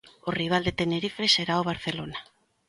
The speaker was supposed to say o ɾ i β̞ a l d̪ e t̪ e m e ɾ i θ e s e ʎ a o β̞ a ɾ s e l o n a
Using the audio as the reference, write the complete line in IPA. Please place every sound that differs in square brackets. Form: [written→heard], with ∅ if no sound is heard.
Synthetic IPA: o [ɾ→r] i β̞ a l d̪ e t̪ e [m→n] e ɾ i [θ→f] e s e [ʎ→ɾ] a o β̞ a ɾ [s→θ] e l o n a